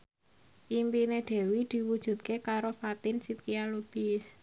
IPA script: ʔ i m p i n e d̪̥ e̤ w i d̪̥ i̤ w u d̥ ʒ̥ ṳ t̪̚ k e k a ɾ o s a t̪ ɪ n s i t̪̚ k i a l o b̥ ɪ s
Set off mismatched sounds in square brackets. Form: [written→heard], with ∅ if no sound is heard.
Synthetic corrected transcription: ʔ i m p i n e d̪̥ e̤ w i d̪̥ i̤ w u d̥ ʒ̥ ṳ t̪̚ k e k a ɾ o [s→f] a t̪ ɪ n s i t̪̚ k i a l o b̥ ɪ s